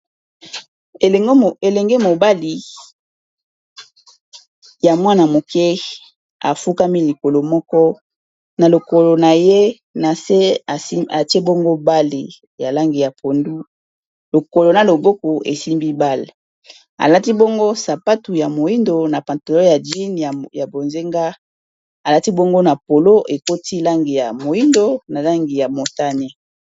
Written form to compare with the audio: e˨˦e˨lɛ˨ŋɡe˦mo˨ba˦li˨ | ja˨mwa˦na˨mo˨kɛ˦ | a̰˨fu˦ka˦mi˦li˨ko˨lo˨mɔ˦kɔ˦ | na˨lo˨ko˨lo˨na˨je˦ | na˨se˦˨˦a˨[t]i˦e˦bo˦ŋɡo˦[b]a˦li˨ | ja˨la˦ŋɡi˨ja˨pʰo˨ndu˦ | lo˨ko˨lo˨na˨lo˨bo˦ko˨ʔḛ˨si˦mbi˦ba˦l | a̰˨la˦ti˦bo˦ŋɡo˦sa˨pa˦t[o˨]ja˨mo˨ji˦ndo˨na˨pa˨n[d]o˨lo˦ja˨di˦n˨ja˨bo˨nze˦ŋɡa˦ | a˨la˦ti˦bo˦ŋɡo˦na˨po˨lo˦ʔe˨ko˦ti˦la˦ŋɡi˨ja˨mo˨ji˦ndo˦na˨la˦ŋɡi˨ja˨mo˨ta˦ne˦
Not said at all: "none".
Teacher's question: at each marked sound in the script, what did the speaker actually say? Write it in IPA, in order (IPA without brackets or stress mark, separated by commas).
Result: t, b, u˨, t